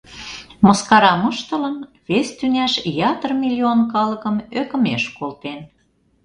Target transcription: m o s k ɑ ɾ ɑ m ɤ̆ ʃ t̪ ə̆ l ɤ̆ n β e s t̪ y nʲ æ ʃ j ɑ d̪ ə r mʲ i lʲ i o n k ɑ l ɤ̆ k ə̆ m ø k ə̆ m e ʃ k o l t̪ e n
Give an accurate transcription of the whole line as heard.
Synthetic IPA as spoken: m o s k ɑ ɾ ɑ m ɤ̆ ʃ t̪ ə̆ l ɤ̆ n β e s t̪ y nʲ æ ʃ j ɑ t̪ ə r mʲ i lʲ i o n k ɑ l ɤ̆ k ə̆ m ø k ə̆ m e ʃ k o l t̪ e n